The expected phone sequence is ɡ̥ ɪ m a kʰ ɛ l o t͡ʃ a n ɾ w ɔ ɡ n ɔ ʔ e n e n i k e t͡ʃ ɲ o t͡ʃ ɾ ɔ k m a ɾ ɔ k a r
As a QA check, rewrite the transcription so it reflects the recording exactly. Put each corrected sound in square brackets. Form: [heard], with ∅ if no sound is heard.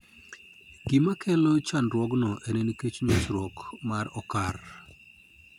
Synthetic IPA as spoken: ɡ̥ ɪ m a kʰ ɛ l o t͡ʃ a n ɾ w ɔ ɡ n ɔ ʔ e n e n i k e t͡ʃ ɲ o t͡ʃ ɾ ɔ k m a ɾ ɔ k a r

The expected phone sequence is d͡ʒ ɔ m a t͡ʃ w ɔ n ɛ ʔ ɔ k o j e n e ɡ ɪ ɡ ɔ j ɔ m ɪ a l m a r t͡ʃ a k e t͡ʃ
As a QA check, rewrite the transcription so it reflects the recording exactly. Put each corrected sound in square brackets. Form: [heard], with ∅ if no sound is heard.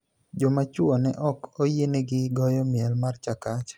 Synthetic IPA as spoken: d͡ʒ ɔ m a t͡ʃ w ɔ n ɛ ʔ ɔ k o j e n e ɡ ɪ ɡ ɔ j ɔ m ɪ [ɛ] l m a r t͡ʃ a k [a] t͡ʃ

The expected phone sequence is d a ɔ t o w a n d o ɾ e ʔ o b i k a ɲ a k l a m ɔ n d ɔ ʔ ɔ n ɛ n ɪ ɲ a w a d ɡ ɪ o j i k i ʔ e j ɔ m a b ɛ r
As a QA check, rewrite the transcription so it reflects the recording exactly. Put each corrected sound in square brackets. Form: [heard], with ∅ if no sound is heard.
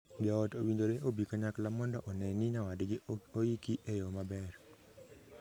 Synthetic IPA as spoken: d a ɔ t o w [i] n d o ɾ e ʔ o b i k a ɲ a k l a m ɔ n d ɔ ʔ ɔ n ɛ n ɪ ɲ a w a d ɡ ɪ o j i k i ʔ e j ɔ m a b ɛ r

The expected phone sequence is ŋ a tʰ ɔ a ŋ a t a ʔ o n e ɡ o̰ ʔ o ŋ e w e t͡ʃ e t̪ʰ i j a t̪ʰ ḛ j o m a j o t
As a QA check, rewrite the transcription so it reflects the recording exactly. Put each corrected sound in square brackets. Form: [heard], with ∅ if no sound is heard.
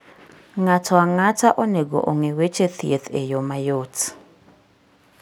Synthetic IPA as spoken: ŋ a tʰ ɔ a ŋ a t a ʔ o n e ɡ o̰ ʔ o ŋ e w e t͡ʃ e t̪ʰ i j [e] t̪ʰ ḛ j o m a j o t

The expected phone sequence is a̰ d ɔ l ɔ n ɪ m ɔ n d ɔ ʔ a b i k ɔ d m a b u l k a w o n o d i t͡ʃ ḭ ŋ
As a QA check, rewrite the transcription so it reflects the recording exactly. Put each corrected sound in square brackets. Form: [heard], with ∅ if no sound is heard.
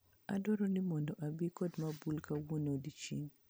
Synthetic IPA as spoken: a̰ d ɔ [ɾ] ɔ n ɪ m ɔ n d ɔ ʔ a b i k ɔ d m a b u l k a w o n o d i t͡ʃ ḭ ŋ

